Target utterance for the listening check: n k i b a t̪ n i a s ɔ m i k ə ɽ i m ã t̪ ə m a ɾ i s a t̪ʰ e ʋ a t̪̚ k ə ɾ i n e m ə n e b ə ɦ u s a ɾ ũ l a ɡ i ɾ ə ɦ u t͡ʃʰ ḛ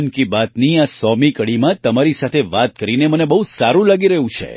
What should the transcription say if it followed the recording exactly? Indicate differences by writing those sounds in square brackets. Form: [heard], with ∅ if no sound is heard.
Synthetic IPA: n k i b a t̪ n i a s ɔ m i k ə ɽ i m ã t̪ ə m a ɾ i s a t̪ʰ e ʋ a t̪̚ k ə ɾ i n e m ə n e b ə ɦ u s a ɾ ũ l a ɡ i ɾ ə ɦ [ũ] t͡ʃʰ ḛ